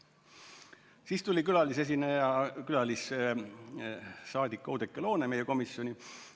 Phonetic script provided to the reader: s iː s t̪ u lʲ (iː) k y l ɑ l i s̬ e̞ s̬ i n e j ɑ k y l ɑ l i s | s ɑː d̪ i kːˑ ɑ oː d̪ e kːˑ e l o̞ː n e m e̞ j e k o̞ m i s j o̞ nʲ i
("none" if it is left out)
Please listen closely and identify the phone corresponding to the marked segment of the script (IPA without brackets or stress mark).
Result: i